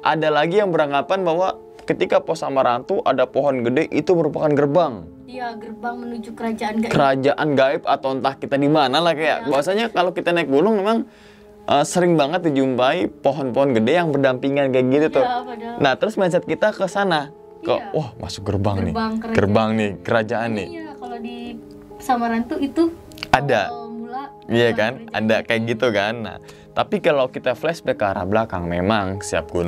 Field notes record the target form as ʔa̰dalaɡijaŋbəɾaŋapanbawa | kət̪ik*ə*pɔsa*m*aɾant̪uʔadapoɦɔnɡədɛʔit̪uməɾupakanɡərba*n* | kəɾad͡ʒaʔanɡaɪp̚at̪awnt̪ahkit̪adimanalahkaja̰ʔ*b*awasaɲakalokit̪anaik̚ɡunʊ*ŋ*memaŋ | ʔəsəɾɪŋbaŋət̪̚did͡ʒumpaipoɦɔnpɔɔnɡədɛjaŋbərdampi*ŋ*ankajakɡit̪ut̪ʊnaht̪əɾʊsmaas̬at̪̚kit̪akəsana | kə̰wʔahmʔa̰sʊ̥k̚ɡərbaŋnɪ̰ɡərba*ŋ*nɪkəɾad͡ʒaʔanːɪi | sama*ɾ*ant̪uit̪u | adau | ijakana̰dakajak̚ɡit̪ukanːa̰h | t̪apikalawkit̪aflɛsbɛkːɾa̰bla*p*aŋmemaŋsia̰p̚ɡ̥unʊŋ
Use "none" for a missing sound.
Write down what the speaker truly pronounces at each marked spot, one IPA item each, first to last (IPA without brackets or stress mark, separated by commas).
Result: a, m, ŋ, b, ŋ, ŋ, ŋ, ɾ, k